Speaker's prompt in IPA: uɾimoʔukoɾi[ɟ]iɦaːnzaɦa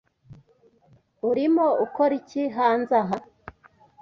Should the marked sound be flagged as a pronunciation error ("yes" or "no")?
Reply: yes